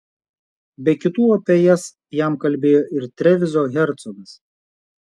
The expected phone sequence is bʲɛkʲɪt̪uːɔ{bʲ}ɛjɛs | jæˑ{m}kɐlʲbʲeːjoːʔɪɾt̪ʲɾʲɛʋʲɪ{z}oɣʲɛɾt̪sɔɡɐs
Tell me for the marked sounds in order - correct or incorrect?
incorrect, correct, correct

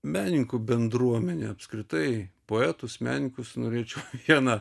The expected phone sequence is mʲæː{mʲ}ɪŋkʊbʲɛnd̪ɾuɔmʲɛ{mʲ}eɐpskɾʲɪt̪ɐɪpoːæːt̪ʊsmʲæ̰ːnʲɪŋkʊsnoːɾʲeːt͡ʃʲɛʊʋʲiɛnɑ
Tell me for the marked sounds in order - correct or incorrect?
incorrect, incorrect

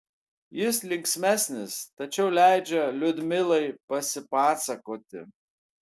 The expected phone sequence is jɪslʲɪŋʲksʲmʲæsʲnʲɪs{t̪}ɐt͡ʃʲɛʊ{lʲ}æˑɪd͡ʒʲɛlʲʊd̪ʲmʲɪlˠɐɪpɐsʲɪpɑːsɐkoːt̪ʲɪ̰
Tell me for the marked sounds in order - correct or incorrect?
correct, correct

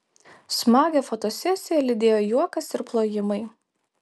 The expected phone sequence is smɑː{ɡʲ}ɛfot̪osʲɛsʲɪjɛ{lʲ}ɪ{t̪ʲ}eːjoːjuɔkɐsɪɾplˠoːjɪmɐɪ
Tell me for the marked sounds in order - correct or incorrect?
correct, correct, incorrect

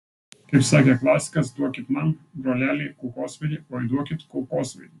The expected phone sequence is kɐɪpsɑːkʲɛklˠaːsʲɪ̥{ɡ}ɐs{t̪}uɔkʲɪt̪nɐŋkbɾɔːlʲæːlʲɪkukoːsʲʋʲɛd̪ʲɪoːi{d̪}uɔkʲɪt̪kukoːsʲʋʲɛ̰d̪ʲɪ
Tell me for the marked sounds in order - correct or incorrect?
incorrect, incorrect, correct

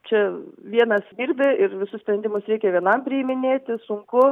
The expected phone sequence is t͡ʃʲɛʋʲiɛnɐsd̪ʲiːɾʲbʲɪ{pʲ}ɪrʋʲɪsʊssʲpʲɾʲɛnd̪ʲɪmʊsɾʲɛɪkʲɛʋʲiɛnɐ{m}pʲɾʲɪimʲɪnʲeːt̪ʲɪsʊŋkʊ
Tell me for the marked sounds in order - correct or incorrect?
incorrect, correct

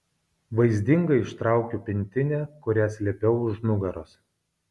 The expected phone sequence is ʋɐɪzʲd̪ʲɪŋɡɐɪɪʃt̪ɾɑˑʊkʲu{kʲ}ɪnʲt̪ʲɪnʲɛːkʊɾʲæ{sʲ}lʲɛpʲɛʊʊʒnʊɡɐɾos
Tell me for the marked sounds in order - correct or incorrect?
incorrect, correct

